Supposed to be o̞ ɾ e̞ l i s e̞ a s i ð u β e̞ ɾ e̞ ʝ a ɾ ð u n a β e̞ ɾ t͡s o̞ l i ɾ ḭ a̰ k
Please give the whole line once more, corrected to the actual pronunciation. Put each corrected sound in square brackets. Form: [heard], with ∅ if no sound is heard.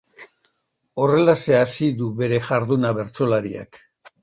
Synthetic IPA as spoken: o̞ [r] e̞ l [a] s e̞ a s i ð u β e̞ ɾ e̞ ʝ a ɾ ð u n a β e̞ ɾ t͡s o̞ l [a] ɾ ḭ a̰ k